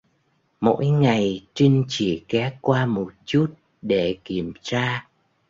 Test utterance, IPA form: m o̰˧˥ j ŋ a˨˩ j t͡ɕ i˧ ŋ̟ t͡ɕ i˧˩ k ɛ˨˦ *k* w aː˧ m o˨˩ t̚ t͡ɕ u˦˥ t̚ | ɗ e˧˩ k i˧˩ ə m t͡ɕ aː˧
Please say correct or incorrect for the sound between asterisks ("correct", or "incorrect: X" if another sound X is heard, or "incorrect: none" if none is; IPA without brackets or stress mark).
correct